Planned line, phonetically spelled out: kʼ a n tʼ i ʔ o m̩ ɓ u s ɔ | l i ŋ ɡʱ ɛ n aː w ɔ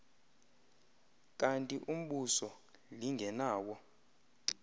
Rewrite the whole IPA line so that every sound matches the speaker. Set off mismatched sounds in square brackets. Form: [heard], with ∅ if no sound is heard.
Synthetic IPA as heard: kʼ a n tʼ i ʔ [u] m̩ ɓ u s ɔ | l i ŋ ɡʱ ɛ n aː w ɔ

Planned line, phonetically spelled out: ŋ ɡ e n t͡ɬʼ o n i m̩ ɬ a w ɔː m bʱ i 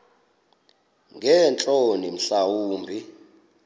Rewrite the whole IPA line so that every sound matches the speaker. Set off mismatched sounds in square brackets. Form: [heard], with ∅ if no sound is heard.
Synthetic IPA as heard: ŋ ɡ [ɛ] n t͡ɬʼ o n i m̩ ɬ a w [uː] m bʱ i

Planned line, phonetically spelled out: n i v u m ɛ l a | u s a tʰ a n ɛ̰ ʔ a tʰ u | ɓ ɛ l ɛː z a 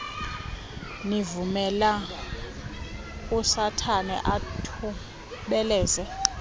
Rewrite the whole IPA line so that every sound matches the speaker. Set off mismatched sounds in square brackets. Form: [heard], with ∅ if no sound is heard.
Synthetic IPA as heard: n i v u m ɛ l a | u s a tʰ a n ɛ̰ ʔ a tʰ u | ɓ ɛ l ɛː z [ɛ]

